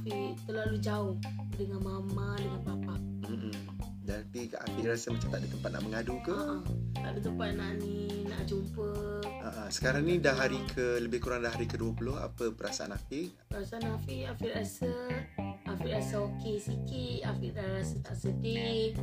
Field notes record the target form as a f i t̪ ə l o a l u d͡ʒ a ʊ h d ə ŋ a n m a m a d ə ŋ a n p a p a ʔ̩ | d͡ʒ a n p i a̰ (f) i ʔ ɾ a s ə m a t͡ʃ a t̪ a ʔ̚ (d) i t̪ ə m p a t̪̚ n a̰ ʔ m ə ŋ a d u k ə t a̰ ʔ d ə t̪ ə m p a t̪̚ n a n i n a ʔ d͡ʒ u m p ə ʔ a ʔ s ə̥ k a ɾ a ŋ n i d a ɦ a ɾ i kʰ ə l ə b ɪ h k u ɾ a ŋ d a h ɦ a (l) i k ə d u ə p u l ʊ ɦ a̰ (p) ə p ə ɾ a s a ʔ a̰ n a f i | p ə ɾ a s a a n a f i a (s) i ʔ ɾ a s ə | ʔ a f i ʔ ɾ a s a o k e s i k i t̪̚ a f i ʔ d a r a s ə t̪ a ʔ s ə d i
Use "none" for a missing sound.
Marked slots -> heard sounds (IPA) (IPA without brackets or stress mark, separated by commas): f, d, ɾ, p, f